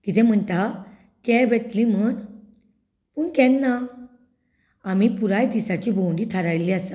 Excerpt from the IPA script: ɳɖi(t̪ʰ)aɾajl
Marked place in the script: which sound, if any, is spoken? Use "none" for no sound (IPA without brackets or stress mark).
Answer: t̪ʰ